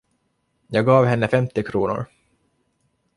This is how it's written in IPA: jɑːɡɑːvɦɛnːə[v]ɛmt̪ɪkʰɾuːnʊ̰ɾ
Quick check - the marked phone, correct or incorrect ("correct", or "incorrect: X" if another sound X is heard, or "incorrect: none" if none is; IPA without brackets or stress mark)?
incorrect: f